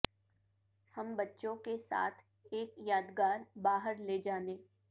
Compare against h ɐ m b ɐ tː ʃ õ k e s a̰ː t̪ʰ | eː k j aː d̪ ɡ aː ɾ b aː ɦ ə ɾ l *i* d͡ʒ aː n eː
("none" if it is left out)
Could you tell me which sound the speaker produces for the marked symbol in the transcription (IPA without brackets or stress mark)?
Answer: e